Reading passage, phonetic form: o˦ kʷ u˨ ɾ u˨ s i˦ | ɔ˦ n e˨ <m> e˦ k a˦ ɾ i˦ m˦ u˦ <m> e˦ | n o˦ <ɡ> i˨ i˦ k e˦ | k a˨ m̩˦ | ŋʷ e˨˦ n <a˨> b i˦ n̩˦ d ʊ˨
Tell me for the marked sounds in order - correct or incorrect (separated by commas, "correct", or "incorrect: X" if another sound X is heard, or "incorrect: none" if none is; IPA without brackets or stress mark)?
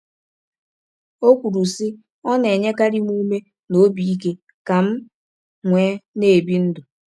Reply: incorrect: ɲ, correct, incorrect: b, incorrect: e˨